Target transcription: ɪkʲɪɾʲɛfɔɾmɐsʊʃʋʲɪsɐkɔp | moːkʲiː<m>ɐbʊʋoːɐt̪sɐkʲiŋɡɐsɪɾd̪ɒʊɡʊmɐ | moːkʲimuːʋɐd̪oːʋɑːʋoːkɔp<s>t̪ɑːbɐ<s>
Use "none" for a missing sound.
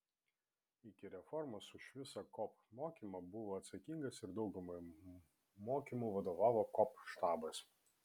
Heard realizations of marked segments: m, ʃ, s

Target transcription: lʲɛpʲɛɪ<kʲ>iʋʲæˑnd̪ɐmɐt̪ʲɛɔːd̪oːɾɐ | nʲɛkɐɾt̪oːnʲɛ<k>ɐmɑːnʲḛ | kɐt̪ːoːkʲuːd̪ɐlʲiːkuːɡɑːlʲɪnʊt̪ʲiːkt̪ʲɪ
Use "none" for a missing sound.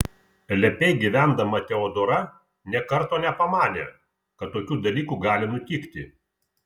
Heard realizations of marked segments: ɡʲ, p

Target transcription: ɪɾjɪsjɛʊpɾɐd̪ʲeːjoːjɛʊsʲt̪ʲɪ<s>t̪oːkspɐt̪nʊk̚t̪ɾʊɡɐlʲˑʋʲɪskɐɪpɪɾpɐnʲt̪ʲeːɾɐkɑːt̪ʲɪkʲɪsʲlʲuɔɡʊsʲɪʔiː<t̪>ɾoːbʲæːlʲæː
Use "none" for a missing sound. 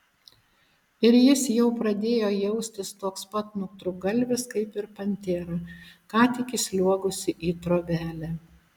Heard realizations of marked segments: s, t̪

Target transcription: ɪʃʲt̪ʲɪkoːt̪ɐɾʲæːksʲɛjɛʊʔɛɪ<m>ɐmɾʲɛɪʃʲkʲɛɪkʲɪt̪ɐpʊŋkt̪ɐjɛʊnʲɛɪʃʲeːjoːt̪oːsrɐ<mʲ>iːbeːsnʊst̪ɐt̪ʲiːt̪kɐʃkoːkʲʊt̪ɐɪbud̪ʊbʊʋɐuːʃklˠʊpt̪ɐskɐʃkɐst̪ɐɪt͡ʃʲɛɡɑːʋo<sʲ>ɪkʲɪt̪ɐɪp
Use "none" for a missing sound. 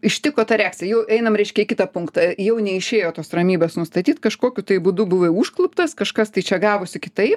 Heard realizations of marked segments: n, mʲ, sʲ

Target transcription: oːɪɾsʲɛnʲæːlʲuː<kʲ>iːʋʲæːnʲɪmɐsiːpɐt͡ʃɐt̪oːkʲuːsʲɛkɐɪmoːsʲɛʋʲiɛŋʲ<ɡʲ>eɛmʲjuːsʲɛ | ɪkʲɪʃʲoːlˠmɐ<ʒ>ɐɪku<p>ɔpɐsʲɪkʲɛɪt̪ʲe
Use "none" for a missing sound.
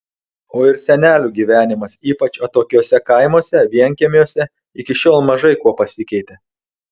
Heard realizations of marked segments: ɡʲ, kʲ, ʒ, none

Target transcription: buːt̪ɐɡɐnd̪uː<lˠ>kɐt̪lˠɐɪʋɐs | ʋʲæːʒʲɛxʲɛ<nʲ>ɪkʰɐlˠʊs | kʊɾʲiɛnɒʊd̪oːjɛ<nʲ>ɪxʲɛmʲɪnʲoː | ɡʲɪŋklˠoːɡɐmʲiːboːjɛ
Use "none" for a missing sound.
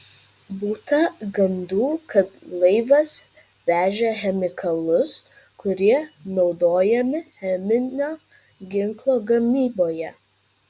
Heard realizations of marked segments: none, mʲ, mʲ

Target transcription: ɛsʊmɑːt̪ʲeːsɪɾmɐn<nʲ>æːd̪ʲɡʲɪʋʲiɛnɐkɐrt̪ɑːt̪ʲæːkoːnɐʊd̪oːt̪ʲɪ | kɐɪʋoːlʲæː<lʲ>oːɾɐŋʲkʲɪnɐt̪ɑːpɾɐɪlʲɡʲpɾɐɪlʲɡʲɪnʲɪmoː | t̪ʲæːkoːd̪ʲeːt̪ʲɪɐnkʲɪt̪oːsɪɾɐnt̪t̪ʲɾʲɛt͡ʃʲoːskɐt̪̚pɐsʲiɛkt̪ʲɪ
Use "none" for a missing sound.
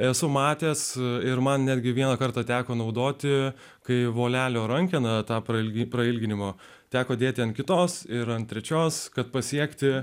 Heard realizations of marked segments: nʲ, lʲ

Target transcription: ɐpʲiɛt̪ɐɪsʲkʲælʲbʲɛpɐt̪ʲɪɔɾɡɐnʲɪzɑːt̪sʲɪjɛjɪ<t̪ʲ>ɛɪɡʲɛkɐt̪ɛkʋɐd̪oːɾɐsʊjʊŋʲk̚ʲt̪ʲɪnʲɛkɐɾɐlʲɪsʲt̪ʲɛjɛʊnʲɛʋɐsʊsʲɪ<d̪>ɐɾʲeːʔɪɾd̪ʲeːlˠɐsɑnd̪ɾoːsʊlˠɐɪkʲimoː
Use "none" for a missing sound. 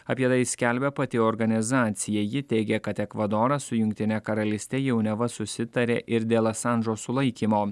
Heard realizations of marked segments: t̪ʲ, t̪

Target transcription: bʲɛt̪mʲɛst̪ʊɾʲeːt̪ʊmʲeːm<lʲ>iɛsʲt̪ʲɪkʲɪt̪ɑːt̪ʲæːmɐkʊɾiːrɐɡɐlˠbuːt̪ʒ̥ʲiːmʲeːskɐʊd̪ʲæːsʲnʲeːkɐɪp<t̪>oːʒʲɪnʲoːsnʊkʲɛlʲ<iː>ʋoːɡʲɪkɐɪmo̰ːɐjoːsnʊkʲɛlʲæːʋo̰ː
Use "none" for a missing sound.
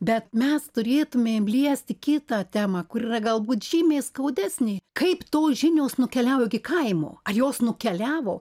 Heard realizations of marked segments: lʲ, t̪, æː

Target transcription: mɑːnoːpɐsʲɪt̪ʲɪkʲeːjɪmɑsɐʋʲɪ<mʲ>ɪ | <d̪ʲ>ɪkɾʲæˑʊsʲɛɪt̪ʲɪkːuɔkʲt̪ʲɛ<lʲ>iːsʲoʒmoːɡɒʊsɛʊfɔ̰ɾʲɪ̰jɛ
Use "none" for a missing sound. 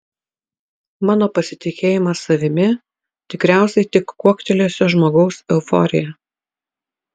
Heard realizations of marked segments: mʲ, t̪ʲ, lʲ

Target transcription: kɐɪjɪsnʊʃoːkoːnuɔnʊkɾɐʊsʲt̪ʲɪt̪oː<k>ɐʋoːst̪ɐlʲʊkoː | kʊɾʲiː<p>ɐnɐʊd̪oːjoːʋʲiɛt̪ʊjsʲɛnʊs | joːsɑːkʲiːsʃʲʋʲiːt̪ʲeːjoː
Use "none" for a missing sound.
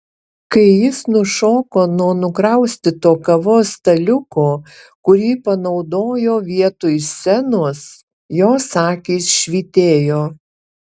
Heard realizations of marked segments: k, p

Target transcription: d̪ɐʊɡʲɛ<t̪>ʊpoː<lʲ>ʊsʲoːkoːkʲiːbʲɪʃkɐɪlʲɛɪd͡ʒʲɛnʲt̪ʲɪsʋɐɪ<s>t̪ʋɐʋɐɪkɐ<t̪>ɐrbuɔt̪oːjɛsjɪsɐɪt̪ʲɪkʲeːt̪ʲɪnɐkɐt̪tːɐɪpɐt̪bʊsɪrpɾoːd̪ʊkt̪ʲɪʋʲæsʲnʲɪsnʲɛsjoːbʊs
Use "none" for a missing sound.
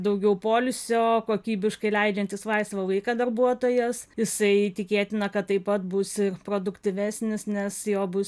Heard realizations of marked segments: none, lʲ, s, d̪

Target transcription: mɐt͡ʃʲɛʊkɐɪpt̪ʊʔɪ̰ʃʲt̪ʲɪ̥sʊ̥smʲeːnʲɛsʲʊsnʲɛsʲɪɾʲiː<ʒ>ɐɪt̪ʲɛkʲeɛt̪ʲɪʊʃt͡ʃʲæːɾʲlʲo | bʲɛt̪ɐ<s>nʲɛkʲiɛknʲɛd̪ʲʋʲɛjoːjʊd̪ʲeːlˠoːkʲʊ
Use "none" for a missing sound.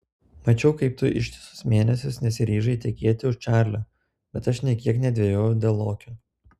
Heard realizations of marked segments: ʒ, ʃ

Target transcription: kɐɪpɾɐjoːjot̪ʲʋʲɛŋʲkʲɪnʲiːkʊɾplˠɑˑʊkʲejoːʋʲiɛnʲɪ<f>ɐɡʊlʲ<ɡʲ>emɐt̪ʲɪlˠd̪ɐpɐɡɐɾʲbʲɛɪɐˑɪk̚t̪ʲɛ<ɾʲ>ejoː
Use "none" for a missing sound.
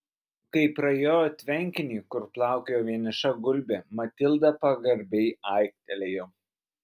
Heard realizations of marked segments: ʃ, bʲ, lʲ

